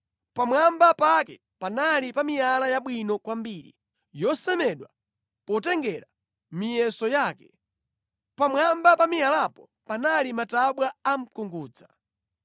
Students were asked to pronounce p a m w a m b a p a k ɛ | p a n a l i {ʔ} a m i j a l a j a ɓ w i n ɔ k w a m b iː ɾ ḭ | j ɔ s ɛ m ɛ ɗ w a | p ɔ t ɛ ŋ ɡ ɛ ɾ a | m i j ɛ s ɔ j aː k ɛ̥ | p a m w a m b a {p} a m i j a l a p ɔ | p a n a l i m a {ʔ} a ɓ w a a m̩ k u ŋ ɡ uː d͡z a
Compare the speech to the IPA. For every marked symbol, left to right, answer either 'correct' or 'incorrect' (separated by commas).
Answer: incorrect, correct, incorrect